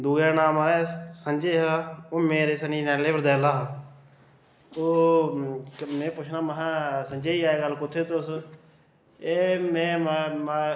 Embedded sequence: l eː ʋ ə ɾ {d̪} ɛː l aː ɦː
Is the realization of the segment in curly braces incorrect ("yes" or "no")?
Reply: no